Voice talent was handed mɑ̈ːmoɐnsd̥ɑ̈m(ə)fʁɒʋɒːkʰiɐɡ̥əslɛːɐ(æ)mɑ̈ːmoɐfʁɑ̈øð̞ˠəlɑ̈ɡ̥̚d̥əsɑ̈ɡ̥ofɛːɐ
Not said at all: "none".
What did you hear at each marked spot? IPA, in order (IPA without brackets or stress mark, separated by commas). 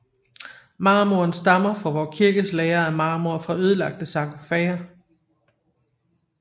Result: ɐ, æ